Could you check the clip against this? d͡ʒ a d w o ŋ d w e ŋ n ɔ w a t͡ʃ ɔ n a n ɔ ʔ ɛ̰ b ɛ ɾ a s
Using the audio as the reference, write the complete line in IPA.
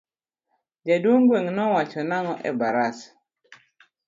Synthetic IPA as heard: d͡ʒ a d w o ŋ ɡ w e ŋ n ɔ w a t͡ʃ ɔ n a ŋ ɔ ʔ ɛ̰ b a ɾ a s